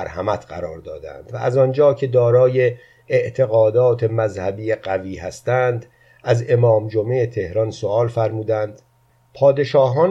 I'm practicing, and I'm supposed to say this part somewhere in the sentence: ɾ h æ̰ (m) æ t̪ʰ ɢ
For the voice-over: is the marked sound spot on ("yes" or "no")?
yes